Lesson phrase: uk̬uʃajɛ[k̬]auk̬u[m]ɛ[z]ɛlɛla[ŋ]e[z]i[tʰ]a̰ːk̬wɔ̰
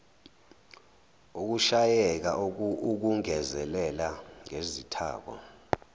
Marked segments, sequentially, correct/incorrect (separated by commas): correct, incorrect, correct, correct, correct, correct